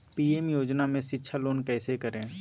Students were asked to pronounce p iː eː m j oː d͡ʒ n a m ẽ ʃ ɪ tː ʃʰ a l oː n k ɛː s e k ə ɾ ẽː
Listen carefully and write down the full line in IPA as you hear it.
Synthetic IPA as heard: p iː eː m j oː d͡ʒ n a m ẽ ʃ ɪ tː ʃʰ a l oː n k ɛː s e k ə ɾ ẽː